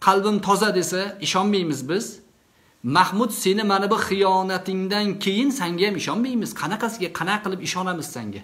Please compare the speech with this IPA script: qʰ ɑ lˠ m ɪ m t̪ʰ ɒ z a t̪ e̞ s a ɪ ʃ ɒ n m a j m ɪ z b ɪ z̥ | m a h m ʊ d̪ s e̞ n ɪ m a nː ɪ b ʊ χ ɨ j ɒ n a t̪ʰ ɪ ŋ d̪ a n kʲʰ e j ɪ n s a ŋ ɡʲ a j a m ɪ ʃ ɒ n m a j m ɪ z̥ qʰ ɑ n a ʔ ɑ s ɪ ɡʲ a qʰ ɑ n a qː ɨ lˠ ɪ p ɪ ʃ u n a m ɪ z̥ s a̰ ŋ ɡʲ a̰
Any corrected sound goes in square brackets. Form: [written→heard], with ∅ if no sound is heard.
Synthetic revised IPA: qʰ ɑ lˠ [m→b] ɪ m t̪ʰ ɒ z a [t̪→d̪] e̞ s a ɪ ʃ ɒ n m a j m ɪ z b ɪ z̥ | m a h m ʊ d̪ s e̞ n ɪ m a [nː→n] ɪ b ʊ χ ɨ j ɒ n a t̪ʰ ɪ ŋ d̪ a n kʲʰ e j ɪ n s a ŋ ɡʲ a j a m ɪ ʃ ɒ n m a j m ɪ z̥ qʰ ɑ n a [ʔ→q] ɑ s ɪ ɡʲ a qʰ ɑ n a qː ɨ lˠ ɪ p ɪ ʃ [u→ɒ] n a m ɪ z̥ s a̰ ŋ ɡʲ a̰